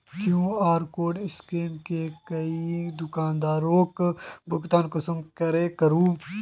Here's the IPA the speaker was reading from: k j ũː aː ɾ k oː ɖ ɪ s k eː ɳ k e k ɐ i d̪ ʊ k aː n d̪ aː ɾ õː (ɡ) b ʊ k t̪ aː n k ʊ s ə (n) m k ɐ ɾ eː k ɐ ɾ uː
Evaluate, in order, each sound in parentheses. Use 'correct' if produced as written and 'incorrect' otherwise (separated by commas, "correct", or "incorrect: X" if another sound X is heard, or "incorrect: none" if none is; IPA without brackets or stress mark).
incorrect: k, incorrect: none